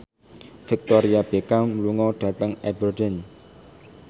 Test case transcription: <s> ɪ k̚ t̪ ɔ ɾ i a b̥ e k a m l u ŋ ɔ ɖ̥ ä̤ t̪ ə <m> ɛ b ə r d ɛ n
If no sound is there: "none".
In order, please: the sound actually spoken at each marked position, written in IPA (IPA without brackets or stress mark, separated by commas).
f, ŋ